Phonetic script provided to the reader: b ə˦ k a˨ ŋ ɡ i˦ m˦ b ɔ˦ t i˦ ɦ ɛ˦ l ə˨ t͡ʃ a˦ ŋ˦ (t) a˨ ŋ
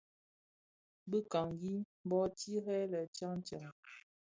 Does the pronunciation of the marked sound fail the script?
yes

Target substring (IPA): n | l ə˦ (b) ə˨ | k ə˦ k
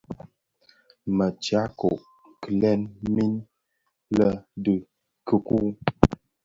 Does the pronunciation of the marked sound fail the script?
yes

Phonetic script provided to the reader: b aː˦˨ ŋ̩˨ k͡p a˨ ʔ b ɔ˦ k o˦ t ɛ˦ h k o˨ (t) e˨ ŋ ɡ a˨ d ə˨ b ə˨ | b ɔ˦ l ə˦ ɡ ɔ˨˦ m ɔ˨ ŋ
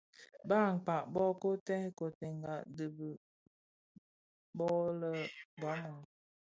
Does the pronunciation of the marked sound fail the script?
no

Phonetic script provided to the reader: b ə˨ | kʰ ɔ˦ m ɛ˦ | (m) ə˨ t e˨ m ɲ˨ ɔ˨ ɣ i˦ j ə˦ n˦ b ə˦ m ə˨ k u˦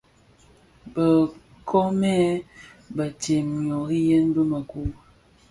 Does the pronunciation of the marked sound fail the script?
yes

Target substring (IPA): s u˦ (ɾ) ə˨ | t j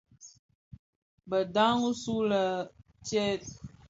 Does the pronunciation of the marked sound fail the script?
yes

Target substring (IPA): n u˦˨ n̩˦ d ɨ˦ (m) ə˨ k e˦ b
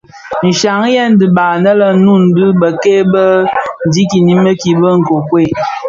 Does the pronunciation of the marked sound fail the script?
yes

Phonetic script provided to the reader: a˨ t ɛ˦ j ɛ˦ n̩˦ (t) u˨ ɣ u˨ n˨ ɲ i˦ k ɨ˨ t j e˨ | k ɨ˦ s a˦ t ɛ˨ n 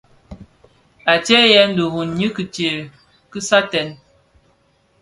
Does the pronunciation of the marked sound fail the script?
yes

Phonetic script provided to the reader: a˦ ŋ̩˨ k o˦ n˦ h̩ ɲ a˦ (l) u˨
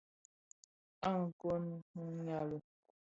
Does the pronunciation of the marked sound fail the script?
no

